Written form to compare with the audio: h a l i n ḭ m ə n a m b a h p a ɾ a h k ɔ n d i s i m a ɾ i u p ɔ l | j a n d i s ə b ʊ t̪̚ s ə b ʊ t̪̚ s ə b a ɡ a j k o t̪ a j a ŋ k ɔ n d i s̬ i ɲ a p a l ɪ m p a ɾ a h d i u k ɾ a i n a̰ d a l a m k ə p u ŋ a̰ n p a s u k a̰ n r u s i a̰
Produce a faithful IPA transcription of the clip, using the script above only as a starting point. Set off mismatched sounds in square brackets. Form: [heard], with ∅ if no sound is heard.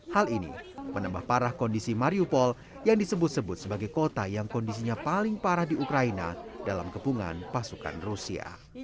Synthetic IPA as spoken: h a l i n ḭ m ə n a m b a h p a ɾ a h k ɔ n d i s i m a ɾ i u p ɔ l | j a [ŋ] d i s ə b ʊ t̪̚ s ə b ʊ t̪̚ s ə b a ɡ a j k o t̪ a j a ŋ k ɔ n d i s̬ i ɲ a p a l ɪ [ŋ] p a ɾ a h d i u k ɾ a i n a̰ d a l a m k ə p u ŋ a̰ n p a s u k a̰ n r u s i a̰